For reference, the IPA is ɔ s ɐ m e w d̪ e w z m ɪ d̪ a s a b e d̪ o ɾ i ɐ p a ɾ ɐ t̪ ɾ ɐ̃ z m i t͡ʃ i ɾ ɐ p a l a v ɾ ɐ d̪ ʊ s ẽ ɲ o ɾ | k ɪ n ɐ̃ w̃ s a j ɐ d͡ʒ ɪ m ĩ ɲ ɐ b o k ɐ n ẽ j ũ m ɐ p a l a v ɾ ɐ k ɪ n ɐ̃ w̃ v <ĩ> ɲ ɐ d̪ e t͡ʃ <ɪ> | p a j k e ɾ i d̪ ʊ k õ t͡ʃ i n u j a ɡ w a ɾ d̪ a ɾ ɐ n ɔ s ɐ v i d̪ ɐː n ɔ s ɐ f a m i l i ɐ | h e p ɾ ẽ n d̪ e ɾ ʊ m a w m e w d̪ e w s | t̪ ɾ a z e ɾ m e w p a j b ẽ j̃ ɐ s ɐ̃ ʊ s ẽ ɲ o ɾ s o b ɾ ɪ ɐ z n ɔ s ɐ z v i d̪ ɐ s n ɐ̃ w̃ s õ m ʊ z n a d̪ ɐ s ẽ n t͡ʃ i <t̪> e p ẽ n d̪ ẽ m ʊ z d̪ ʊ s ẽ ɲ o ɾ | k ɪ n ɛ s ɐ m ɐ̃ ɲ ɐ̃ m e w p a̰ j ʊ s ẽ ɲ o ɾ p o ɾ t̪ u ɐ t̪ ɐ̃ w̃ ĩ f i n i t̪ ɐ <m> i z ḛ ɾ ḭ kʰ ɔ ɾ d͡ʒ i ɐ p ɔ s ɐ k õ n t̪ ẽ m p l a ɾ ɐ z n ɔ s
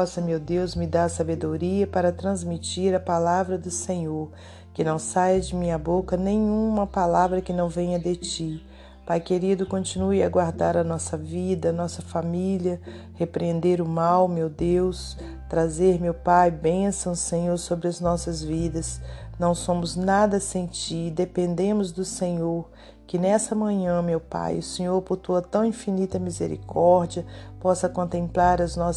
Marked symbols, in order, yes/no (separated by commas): no, no, no, yes